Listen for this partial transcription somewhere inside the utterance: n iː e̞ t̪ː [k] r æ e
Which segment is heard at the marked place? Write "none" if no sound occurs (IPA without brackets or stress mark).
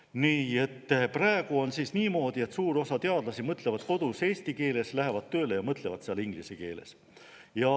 p